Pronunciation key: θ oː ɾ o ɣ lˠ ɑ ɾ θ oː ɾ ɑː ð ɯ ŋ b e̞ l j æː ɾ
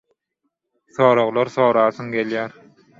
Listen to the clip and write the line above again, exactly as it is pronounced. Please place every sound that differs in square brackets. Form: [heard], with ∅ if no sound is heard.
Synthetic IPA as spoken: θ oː ɾ o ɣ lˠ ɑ ɾ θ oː ɾ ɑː [θ] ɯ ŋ [ɡ] e̞ l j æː ɾ